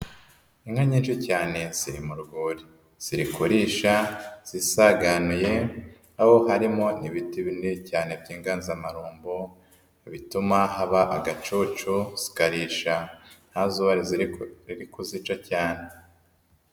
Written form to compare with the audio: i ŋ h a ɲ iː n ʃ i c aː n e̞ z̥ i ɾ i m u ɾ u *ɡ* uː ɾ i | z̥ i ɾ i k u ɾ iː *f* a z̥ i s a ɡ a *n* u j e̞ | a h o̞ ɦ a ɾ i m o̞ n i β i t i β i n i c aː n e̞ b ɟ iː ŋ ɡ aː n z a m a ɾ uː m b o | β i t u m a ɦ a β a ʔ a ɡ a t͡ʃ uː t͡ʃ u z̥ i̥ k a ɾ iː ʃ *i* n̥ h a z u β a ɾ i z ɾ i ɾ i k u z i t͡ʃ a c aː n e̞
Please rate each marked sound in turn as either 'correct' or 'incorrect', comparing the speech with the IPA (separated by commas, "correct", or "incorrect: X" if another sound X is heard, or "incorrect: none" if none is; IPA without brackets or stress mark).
correct, incorrect: ʃ, correct, incorrect: a